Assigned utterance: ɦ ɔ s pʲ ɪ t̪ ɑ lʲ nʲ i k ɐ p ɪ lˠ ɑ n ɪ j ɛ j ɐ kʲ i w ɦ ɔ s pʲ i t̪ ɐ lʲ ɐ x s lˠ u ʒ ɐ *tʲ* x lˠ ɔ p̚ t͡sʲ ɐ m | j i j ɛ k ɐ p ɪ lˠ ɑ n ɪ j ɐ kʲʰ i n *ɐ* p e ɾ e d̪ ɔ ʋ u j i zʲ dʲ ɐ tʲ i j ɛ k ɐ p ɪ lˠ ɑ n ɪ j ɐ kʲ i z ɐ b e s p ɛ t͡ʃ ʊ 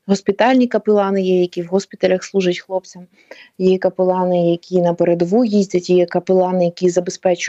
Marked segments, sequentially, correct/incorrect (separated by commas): correct, correct